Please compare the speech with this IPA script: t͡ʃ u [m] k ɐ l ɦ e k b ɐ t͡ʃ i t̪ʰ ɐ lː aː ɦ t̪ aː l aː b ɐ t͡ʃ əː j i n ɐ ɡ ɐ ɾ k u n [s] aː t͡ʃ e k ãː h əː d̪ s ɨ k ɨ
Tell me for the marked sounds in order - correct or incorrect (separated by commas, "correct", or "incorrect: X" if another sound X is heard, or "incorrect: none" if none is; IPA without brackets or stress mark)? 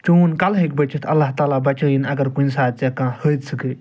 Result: incorrect: n, correct